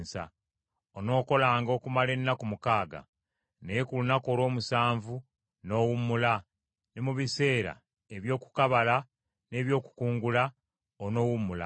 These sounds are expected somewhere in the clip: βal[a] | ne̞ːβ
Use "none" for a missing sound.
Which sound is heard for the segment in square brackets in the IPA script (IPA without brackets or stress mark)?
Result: a